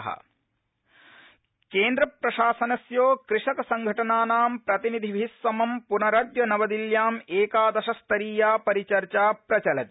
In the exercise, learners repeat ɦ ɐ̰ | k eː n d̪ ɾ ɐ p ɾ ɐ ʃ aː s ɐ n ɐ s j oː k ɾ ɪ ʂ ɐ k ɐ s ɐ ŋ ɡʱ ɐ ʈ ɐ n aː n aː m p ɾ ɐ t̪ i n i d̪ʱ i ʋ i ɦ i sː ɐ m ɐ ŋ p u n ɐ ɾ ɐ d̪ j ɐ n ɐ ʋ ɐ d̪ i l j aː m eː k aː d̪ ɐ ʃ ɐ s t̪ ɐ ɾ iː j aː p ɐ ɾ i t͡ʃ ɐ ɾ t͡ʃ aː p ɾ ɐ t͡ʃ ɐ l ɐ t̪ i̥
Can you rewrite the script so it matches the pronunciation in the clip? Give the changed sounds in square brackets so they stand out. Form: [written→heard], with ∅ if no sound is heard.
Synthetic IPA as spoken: ɦ ɐ̰ | k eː n d̪ ɾ ɐ p ɾ ɐ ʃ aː s ɐ n ɐ s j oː k ɾ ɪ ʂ ɐ k ɐ s ɐ ŋ ɡʱ ɐ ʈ ɐ n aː n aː m p ɾ ɐ t̪ i n i d̪ʱ i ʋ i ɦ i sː ɐ m ɐ [ŋ→m] p u n ɐ ɾ ɐ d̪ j ɐ n ɐ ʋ ɐ d̪ i l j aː m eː k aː d̪ ɐ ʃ ɐ s t̪ ɐ ɾ iː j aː p ɐ ɾ i t͡ʃ ɐ ɾ t͡ʃ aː p ɾ ɐ t͡ʃ ɐ l ɐ t̪ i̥